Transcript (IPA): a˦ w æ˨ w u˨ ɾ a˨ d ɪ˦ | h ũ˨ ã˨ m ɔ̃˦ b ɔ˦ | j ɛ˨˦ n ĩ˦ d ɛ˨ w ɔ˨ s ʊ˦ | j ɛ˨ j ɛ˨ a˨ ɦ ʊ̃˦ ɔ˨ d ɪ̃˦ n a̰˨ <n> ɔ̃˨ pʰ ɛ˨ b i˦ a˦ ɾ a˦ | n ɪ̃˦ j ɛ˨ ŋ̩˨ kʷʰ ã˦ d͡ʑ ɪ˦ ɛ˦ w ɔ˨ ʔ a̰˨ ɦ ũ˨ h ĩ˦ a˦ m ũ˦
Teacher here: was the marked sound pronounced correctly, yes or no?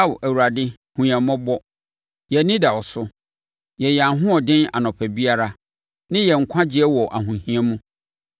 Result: yes